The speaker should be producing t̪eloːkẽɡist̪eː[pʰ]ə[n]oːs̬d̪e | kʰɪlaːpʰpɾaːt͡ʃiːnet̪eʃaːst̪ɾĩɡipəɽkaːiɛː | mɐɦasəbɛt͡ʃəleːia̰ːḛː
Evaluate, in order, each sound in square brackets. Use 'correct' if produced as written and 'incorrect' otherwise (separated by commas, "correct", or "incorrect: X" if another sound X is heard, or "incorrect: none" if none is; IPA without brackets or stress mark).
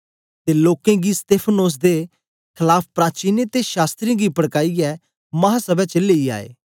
correct, correct